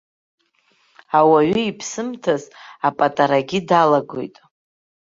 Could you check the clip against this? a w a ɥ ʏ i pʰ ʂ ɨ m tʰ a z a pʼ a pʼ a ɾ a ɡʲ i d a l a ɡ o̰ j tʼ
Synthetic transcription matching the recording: a w a ɥ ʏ i pʰ s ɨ m tʰ a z a pʼ a tʼ a ɾ a ɡʲ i d a l a ɡ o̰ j tʼ